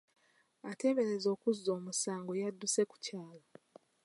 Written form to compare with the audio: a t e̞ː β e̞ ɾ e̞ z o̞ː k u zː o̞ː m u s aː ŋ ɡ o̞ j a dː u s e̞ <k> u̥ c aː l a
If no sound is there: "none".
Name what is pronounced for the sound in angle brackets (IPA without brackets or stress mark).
k